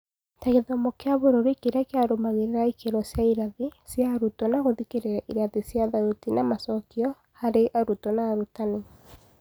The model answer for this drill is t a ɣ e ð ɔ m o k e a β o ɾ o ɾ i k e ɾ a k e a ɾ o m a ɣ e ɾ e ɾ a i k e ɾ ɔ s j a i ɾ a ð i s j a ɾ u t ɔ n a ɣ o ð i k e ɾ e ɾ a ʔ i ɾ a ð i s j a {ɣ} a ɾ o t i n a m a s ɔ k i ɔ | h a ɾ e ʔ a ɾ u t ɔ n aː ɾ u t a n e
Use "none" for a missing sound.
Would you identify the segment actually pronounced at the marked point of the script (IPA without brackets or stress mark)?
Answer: ð